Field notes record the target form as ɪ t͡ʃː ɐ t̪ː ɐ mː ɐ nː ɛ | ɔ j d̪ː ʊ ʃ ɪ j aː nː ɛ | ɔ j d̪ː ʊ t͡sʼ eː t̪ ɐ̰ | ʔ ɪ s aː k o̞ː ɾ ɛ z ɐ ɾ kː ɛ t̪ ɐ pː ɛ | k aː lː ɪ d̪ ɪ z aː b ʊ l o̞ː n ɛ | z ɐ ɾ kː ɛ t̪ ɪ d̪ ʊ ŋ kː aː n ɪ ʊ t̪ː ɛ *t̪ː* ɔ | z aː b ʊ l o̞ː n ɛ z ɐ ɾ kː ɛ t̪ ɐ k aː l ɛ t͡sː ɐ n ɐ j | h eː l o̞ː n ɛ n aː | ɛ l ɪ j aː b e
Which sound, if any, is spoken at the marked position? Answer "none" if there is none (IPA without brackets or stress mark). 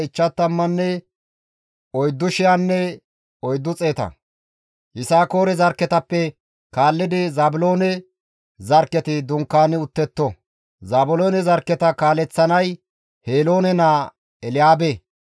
t̪ː